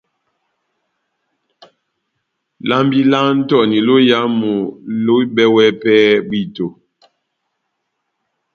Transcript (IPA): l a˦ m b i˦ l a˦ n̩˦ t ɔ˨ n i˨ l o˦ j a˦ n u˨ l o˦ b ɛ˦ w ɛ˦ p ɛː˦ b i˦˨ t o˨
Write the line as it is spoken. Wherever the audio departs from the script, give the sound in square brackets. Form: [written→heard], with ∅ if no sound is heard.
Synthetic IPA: l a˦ m b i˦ l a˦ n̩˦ t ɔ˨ n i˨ l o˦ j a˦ [n→m] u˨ l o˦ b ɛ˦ w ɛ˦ p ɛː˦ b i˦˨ t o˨